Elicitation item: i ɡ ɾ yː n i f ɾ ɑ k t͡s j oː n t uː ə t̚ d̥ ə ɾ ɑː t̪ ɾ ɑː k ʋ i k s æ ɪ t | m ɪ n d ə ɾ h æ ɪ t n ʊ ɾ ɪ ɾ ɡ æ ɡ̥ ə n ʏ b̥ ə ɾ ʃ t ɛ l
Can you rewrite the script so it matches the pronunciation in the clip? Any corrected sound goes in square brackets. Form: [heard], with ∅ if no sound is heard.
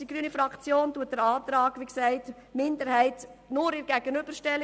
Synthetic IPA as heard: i ɡ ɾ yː n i f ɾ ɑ k t͡s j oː n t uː ə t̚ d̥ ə ɾ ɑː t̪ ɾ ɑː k ʋ i k s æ ɪ t | m ɪ n d ə ɾ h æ ɪ t n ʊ ɾ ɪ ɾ ɡ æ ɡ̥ ə n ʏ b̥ ə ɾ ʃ t ɛ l

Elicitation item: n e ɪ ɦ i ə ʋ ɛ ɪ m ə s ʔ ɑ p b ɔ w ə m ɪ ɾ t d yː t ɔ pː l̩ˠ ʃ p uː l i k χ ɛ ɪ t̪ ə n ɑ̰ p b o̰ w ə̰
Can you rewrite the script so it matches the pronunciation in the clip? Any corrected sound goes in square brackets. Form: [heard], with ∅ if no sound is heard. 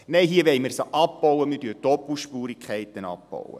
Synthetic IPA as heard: n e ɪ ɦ i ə ʋ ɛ ɪ m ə s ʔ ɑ p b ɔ w ə m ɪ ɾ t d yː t ɔ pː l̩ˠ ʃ p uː [ɾ] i k χ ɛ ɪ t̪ ə n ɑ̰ p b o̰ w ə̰

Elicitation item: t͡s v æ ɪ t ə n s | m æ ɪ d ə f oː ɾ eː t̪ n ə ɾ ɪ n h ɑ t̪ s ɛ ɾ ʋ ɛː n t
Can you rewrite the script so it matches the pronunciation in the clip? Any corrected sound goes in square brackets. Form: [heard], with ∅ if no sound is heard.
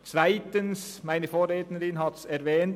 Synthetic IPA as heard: t͡s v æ ɪ t ə n s | m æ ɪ [n] ə f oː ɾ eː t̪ n ə ɾ ɪ n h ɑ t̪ s ɛ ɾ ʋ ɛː n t

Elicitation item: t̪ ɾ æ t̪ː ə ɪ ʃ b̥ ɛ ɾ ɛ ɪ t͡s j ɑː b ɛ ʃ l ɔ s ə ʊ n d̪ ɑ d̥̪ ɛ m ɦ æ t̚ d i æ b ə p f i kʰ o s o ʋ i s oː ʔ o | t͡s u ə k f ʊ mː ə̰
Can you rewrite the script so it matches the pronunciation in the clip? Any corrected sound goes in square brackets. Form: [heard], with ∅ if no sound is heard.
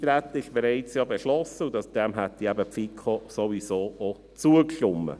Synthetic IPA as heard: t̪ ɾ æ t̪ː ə ɪ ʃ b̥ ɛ ɾ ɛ ɪ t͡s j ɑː b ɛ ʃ l ɔ s ə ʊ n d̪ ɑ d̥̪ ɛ m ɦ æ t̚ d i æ b ə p f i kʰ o s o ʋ i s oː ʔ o | t͡s u ə k [ʃ] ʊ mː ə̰

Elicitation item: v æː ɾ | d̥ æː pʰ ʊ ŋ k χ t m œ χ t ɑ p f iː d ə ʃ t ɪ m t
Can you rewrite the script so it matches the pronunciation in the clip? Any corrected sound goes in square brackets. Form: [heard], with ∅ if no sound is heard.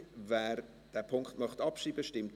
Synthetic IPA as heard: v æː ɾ | d̥ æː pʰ ʊ ŋ k χ t m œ χ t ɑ p [ʃ] iː [b] ə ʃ t ɪ m t

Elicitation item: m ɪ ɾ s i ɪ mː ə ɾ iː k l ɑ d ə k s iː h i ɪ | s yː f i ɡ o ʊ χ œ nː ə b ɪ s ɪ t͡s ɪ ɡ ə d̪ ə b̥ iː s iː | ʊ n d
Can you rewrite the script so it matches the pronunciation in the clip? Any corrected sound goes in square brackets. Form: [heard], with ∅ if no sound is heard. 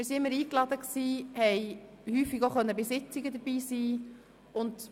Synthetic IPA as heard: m ɪ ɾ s i ɪ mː ə ɾ iː k l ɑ d ə k s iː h [ɛ] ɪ | [h] yː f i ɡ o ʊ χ œ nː ə b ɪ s ɪ t͡s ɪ ɡ ə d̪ ə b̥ iː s iː | ʊ n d

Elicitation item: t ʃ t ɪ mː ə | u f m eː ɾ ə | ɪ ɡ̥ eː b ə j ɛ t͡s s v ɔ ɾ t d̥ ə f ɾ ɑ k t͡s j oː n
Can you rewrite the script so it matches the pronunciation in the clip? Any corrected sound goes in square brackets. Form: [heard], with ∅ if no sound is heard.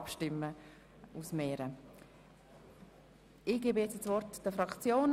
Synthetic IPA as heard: [p] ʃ t ɪ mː ə | u [s] m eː ɾ ə | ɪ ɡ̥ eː b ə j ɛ t͡s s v ɔ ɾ t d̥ ə f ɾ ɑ k t͡s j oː n

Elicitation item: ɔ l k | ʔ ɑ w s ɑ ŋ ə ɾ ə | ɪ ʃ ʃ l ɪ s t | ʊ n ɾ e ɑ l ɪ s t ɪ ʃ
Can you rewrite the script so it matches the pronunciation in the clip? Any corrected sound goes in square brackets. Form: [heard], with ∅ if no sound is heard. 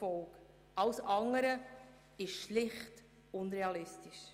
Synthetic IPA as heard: ɔ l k | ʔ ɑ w s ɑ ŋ ə ɾ ə | ɪ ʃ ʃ l ɪ [χ] t | ʊ n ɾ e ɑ l ɪ s t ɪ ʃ

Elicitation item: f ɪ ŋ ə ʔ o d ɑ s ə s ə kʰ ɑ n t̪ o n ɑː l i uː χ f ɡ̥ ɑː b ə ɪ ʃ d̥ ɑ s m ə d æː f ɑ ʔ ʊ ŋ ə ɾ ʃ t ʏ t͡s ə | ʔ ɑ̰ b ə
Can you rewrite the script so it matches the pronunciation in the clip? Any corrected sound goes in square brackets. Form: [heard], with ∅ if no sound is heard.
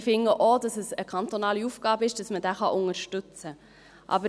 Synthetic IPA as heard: f ɪ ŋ ə ʔ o d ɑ s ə s ə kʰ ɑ n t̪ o n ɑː l i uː [∅] f ɡ̥ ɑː b ə ɪ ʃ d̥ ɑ s m ə d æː [χ] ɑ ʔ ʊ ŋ ə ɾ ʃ t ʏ t͡s ə | ʔ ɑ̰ b ə

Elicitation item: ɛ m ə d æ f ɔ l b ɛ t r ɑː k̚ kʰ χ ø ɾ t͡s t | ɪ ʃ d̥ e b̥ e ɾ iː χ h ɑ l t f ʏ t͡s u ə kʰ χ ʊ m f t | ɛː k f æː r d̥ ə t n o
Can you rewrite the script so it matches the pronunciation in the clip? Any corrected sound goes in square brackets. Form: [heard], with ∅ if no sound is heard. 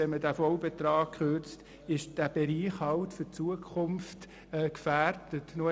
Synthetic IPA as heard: ɛ m ə d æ f ɔ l b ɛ t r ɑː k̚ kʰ χ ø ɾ t͡s t | ɪ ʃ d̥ [æ] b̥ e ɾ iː χ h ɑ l t f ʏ t͡s u ə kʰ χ ʊ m f t | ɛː k f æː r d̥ ə t n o

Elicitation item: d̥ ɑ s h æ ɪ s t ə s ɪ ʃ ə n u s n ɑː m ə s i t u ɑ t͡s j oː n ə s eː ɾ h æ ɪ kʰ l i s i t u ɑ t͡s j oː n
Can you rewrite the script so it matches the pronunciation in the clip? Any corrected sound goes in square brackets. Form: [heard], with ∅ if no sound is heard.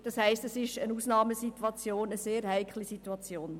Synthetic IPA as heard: d̥ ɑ s h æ ɪ s t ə s ɪ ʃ ə n u s n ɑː m ə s i t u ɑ t͡s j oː n ə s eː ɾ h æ ɪ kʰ l i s i t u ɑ t͡s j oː n

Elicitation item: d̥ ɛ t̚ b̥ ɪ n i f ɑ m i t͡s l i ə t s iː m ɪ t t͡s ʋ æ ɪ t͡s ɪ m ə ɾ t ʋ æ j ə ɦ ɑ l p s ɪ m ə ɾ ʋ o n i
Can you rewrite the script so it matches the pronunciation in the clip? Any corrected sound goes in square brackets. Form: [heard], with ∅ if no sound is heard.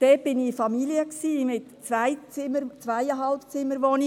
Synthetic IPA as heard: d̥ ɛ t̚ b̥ ɪ n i f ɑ m i [∅] l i ə [k] s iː m ɪ t t͡s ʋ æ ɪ t͡s ɪ m ə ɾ [t͡s] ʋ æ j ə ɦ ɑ l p [t͡s] ɪ m ə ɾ ʋ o n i

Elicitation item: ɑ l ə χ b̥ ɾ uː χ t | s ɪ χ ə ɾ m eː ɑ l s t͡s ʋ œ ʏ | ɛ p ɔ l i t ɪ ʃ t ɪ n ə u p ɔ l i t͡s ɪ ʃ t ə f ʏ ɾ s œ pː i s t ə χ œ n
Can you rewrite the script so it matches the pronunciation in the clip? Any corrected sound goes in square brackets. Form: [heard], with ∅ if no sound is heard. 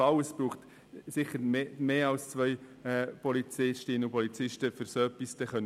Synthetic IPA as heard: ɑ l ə [s] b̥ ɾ uː χ t | s ɪ χ ə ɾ m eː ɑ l s t͡s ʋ œ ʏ | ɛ p ɔ l i [t͡s] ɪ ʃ t ɪ n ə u p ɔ l i t͡s ɪ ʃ t ə f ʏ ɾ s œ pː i s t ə χ œ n

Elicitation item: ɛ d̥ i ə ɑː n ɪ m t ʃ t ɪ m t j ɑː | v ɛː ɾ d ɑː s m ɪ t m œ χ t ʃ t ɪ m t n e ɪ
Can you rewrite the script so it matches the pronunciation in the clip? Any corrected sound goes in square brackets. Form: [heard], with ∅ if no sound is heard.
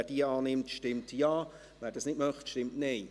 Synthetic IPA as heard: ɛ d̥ i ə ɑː n ɪ m t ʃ t ɪ m t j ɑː | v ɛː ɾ d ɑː s [n] ɪ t m œ χ t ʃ t ɪ m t n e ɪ

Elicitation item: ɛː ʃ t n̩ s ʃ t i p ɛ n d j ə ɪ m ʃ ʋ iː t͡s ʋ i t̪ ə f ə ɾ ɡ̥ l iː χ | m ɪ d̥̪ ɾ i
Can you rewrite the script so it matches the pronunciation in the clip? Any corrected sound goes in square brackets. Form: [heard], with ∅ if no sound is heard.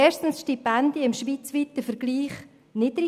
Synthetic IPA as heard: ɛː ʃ t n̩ s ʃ t i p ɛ n d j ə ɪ m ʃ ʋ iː t͡s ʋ i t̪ ə f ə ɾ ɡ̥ l iː χ | [n] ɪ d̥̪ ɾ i

